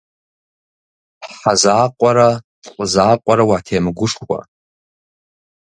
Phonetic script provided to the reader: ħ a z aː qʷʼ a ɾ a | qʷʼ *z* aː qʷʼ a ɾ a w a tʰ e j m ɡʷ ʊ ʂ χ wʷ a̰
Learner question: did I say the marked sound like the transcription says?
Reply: yes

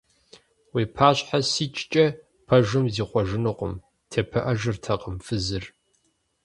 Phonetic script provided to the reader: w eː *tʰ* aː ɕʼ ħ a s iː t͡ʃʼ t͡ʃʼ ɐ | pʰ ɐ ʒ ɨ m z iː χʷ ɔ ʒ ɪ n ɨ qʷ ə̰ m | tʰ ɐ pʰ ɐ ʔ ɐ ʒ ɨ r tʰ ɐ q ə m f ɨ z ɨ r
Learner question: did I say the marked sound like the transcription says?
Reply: no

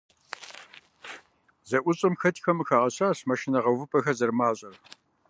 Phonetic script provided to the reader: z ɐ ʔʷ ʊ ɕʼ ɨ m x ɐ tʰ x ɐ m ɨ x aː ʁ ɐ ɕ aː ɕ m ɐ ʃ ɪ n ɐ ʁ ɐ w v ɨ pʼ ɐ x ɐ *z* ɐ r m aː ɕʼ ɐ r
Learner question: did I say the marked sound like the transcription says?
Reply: yes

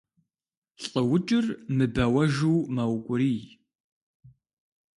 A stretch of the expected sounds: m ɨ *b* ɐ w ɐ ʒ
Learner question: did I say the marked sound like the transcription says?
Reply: yes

